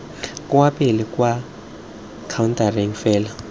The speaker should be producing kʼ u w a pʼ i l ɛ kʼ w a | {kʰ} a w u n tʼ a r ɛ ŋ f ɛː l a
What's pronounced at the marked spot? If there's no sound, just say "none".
kʰ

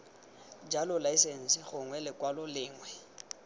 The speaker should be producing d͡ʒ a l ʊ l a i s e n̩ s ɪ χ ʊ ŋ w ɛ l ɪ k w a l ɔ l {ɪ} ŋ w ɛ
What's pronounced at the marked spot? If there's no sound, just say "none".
ɪː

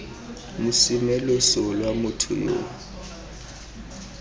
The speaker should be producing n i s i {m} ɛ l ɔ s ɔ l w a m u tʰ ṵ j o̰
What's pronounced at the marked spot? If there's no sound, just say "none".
m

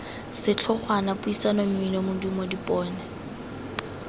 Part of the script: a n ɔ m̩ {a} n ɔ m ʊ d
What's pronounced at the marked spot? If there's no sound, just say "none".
i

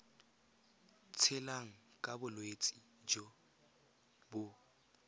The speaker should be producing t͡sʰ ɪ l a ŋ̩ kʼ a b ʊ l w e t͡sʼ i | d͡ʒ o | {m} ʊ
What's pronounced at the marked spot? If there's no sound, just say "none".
b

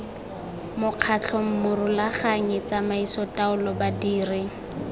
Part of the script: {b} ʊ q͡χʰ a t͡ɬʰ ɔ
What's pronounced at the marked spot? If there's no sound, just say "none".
m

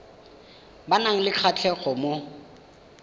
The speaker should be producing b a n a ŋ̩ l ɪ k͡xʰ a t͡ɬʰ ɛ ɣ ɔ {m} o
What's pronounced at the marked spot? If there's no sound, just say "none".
m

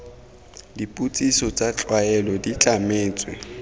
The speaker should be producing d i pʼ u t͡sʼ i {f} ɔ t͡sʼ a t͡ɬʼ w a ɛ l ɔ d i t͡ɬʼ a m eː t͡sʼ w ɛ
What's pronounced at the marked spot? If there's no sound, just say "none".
s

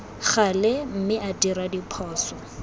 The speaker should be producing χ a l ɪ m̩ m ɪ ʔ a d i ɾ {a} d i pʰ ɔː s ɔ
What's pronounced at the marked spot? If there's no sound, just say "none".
a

